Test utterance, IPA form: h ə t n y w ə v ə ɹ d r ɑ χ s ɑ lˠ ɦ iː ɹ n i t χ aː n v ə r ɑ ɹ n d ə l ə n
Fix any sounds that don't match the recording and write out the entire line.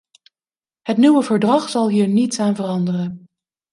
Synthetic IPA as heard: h ə t n y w ə v ə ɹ d r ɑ χ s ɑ lˠ ɦ iː ɹ n i t s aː n v ə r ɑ n d ə r ə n